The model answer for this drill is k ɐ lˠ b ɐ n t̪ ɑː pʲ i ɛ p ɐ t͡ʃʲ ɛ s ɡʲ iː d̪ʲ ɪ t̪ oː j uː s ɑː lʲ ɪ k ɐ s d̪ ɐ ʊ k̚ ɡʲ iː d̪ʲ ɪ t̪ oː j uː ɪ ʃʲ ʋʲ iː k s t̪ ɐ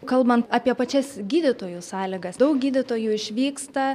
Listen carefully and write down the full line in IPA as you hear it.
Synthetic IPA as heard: k ɐ lˠ b ɐ n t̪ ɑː pʲ i ɛ p ɐ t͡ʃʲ ɛ s ɡʲ iː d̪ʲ ɪ t̪ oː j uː s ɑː lʲ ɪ ɡ ɐ s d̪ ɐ ʊ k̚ ɡʲ iː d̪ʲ ɪ t̪ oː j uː ɪ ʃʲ ʋʲ iː k s t̪ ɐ

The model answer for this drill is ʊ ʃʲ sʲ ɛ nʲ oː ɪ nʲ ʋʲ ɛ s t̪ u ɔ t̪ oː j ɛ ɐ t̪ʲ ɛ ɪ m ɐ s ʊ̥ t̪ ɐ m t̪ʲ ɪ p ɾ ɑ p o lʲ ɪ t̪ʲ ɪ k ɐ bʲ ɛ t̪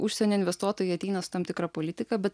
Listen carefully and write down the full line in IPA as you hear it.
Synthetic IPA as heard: ʊ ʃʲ sʲ ɛ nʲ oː ɪ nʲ ʋʲ ɛ s t̪ u ɔ t̪ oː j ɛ ɐ t̪ʲ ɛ ɪ n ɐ s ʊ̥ t̪ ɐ m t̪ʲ ɪ k ɾ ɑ p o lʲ ɪ t̪ʲ ɪ k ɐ bʲ ɛ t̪

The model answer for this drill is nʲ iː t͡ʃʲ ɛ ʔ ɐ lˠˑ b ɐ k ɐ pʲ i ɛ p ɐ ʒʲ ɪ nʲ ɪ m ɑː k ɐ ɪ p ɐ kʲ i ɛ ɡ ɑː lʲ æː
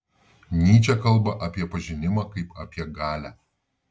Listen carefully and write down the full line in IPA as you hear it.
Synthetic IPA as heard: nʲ iː t͡ʃʲ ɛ k ɐ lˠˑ b ɐ ʔ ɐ pʲ i ɛ p ɐ ʒʲ ɪ nʲ ɪ m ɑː k ɐ ɪ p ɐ pʲ i ɛ ɡ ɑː lʲ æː

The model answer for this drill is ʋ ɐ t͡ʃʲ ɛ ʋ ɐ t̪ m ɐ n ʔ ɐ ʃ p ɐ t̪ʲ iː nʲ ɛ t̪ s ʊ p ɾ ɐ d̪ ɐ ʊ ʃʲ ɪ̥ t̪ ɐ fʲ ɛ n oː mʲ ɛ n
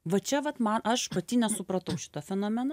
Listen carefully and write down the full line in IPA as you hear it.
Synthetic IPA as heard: ʋ ɐ t͡ʃʲ ɛ ʋ ɐ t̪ m ɐ n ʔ ɐ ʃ p ɐ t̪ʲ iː nʲ ɛ s ʊ p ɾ ɐ t̪ ɐ ʊ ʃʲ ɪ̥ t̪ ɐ fʲ ɛ n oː mʲ ɛ n

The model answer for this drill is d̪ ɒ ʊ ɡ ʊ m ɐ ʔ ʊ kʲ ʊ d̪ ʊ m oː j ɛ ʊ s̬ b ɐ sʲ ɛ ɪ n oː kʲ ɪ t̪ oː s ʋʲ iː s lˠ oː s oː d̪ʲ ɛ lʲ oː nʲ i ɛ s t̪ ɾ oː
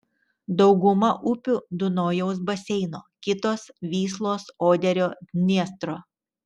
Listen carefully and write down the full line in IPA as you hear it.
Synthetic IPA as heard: d̪ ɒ ʊ ɡ ʊ m ɐ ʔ ʊ pʲ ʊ d̪ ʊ n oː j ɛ ʊ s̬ b ɐ sʲ ɛ ɪ n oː kʲ ɪ t̪ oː s ʋʲ iː s lˠ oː s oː d̪ʲ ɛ ɾʲ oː nʲ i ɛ s t̪ ɾ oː

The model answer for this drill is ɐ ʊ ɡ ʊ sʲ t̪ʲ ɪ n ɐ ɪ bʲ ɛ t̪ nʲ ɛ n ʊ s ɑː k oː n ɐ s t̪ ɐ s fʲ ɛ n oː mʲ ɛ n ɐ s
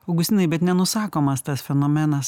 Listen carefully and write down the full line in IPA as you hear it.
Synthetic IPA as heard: ɐ ʊ ɡ ʊ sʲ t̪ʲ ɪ n ɐ ɪ bʲ ɛ t̪ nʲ ɛ n ʊ s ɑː k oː m ɐ s t̪ ɐ s fʲ ɛ n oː mʲ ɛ n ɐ s

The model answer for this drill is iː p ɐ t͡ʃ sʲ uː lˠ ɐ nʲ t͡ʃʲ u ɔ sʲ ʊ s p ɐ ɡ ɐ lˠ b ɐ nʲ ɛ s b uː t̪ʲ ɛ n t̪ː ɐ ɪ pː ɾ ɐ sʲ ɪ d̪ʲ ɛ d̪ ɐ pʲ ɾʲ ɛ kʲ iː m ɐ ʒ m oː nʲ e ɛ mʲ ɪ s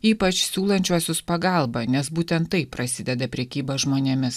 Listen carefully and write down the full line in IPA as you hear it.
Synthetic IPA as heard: iː p ɐ t͡ʃ sʲ uː lˠ ɐ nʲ t͡ʃʲ u ɔ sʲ ʊ s p ɐ ɡ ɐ lˠ b ɐ nʲ ɛ s b uː t̪ʲ ɛ n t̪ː ɐ ɪ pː ɾ ɐ sʲ ɪ d̪ʲ ɛ d̪ ɐ pʲ ɾʲ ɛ kʲ iː b ɐ ʒ m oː nʲ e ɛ mʲ ɪ s

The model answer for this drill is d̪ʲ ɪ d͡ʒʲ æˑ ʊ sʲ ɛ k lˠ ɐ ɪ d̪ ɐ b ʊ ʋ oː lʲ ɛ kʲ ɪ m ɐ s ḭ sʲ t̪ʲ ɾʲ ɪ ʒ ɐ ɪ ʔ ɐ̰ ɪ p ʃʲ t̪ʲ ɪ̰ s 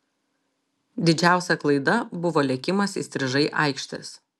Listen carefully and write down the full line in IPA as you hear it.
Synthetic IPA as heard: d̪ʲ ɪ d͡ʒʲ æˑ ʊ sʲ ɛ k lˠ ɐ ɪ d̪ ɐ b ʊ ʋ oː lʲ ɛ kʲ ɪ m ɐ s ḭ sʲ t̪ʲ ɾʲ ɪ ʒ ɐ ɪ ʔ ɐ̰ ɪ k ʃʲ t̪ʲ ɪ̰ s

